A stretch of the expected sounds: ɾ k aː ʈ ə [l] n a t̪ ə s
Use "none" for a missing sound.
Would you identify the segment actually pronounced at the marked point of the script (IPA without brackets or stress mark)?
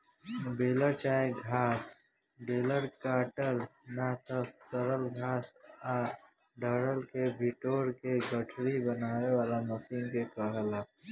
l